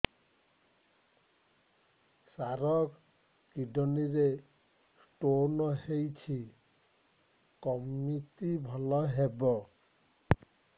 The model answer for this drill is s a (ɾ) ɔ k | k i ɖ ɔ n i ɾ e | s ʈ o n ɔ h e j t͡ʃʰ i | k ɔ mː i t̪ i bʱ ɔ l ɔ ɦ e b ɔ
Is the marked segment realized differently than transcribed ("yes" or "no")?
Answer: no